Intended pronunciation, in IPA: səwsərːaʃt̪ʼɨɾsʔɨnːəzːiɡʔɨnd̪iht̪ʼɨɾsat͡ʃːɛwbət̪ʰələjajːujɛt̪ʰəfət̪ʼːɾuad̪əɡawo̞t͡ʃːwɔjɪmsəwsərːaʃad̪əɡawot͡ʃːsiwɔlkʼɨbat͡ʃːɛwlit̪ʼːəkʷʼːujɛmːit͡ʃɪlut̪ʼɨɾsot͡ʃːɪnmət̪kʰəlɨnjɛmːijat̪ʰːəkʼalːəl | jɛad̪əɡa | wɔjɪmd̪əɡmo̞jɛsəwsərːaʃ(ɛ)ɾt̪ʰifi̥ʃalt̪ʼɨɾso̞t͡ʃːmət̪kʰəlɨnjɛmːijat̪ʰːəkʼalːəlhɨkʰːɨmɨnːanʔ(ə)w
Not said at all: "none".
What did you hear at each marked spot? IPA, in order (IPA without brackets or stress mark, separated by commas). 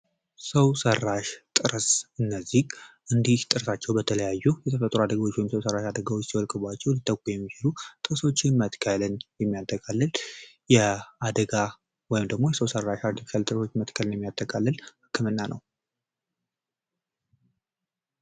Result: a, ə